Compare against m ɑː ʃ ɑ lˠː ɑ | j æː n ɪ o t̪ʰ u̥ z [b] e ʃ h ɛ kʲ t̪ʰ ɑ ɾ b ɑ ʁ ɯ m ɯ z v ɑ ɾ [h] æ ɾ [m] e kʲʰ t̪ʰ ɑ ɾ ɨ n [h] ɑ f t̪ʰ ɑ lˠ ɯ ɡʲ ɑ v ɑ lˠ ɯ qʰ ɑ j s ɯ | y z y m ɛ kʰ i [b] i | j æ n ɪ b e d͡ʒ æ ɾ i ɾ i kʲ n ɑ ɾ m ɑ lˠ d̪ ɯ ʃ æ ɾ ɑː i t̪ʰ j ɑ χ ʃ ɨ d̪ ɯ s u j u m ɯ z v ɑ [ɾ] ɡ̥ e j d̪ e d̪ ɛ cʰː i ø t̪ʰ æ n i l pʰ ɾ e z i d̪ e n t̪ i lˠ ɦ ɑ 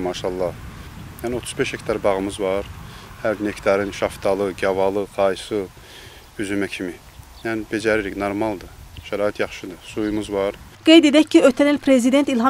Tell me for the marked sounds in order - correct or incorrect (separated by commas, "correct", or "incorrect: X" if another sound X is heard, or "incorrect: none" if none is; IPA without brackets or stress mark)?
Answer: correct, correct, incorrect: n, incorrect: ʃ, incorrect: m, correct